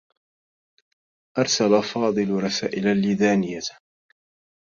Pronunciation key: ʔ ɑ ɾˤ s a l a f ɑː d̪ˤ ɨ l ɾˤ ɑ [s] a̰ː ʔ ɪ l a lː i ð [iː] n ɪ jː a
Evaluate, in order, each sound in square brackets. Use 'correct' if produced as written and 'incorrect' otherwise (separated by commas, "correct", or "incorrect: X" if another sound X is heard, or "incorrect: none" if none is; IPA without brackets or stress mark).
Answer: correct, incorrect: aː